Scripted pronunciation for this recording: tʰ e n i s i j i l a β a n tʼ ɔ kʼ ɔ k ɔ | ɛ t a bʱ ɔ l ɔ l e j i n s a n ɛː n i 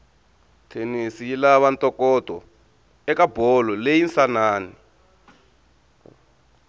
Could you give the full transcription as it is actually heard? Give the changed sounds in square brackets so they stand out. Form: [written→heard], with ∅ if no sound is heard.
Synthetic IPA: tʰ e n i s i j i l a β a n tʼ ɔ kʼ ɔ [k→t] ɔ | ɛ [t→k] a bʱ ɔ l ɔ l e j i n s a n [ɛː→aː] n i